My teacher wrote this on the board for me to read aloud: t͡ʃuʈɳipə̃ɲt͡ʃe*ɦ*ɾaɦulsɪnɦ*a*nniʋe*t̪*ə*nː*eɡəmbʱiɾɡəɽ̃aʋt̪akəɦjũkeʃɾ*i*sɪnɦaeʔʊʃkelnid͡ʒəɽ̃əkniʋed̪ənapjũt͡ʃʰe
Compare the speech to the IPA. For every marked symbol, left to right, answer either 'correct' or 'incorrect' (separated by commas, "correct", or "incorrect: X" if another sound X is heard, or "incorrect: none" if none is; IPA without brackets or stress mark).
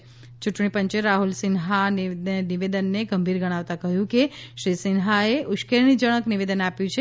incorrect: none, correct, incorrect: d̪, correct, correct